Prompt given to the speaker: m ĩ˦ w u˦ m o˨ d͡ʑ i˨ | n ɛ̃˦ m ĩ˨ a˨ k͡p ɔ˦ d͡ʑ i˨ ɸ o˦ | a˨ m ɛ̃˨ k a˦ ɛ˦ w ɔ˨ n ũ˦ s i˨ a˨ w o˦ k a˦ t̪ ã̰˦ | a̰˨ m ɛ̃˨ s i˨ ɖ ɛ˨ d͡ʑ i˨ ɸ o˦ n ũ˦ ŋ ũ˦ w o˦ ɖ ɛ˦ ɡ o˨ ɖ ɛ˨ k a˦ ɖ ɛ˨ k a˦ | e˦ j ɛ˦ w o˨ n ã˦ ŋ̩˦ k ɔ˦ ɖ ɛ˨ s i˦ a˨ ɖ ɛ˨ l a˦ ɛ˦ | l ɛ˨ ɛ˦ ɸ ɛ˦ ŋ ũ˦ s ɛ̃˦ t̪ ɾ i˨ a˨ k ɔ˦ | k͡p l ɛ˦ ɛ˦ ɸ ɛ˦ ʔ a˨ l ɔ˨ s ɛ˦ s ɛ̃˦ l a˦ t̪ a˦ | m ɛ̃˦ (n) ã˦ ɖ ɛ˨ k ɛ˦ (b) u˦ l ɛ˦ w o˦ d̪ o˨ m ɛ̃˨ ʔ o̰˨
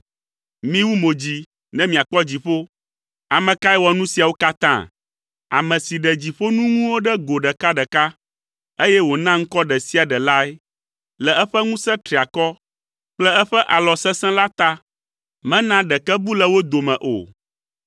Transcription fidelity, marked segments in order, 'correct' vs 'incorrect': correct, correct

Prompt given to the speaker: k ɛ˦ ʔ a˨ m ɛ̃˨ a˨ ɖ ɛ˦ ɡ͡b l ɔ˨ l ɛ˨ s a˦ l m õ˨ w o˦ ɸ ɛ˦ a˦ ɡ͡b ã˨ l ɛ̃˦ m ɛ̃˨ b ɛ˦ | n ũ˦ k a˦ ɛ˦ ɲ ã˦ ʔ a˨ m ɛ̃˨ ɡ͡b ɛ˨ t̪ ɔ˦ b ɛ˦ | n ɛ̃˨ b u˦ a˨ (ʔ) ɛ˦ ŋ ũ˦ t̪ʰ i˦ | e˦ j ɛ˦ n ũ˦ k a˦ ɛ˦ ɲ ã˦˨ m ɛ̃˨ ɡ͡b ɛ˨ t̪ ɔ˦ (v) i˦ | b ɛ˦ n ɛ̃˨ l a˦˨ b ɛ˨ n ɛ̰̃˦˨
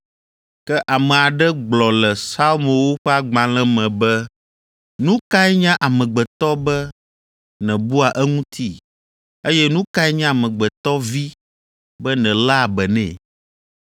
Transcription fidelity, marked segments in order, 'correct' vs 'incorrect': correct, correct

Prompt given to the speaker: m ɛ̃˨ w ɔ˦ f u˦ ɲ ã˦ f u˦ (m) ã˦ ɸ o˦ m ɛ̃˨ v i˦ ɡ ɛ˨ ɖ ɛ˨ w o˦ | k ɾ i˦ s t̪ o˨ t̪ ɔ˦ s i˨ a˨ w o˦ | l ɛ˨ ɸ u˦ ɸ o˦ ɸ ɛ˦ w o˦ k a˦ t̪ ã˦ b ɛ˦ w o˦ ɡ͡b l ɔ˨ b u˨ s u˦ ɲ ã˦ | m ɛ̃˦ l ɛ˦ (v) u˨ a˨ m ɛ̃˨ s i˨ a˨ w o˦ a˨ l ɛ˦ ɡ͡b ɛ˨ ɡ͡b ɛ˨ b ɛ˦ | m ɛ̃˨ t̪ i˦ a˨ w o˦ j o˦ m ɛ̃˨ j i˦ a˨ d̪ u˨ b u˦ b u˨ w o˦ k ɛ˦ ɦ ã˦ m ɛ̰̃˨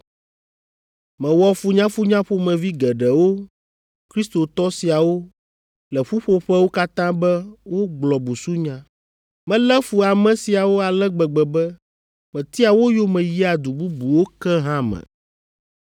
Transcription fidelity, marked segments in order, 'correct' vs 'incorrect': incorrect: ɲ, incorrect: f

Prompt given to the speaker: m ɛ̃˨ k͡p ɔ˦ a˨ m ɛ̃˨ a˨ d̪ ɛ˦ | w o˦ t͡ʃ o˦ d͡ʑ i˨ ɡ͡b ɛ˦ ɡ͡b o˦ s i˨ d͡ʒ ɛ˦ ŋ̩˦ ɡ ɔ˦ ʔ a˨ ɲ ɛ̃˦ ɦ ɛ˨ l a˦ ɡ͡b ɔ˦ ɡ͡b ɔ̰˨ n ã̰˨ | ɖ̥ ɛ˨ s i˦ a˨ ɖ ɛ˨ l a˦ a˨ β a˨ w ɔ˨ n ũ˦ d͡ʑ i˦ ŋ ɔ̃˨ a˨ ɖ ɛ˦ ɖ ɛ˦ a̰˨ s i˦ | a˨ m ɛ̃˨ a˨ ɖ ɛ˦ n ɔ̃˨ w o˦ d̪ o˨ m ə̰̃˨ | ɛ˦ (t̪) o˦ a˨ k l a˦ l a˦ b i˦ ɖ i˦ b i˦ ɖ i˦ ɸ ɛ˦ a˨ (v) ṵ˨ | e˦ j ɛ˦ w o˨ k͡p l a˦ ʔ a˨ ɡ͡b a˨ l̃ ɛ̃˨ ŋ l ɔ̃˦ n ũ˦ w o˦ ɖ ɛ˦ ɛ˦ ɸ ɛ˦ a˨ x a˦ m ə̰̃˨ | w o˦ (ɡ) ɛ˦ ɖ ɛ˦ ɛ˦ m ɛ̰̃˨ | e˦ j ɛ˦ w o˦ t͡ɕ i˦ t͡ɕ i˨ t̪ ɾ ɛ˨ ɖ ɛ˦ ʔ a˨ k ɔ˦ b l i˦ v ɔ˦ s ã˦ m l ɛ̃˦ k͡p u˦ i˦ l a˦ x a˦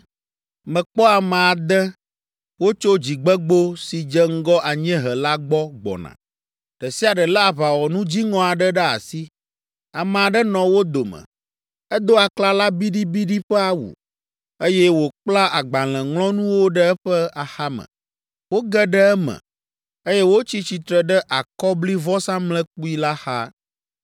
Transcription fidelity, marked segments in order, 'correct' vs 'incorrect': incorrect: d̪, incorrect: w, correct

